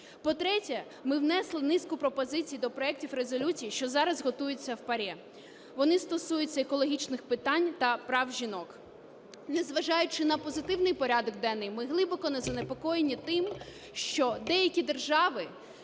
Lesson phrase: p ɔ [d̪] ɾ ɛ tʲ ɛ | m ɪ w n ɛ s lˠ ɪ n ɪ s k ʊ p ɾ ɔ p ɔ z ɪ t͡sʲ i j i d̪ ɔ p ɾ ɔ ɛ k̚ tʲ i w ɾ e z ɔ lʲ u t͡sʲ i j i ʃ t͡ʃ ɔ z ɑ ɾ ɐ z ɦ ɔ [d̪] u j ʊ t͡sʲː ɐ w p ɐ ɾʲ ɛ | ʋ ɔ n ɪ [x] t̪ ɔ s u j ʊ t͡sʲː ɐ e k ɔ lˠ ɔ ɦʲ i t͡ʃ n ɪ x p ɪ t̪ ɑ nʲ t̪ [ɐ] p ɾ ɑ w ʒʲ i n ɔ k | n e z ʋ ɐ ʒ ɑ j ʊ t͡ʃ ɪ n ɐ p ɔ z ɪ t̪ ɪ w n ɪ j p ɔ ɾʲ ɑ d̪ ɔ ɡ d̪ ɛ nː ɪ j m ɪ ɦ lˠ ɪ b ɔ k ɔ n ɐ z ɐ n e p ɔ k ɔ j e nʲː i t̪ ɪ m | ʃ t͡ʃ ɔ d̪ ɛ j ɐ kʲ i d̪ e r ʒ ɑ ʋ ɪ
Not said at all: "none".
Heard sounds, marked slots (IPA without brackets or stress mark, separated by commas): t̪, t̪, s, ɐ